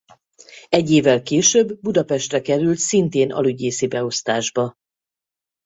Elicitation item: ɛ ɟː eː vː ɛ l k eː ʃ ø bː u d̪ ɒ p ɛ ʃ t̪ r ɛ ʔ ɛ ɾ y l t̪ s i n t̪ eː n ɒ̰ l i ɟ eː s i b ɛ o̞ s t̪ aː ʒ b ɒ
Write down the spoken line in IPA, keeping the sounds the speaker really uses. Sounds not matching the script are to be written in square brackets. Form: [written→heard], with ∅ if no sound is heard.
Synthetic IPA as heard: ɛ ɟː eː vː ɛ l k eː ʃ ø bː u d̪ ɒ p ɛ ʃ t̪ r ɛ [ʔ→k] ɛ ɾ y l t̪ s i n t̪ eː n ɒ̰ l [i→y] ɟ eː s i b ɛ o̞ s t̪ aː ʒ b ɒ